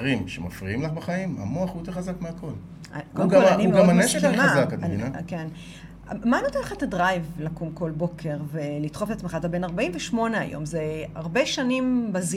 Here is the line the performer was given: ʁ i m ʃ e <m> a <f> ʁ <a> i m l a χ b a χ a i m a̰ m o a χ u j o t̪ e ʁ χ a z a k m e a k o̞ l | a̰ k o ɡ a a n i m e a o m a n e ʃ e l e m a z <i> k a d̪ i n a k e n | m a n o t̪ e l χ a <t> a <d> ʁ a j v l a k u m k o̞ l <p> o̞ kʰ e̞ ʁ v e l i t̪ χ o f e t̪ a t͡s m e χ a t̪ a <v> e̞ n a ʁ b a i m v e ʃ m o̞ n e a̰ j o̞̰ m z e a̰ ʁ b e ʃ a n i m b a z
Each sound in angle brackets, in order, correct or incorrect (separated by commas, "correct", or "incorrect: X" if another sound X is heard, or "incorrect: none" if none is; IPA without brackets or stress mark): correct, correct, incorrect: i, incorrect: a, correct, correct, incorrect: b, incorrect: b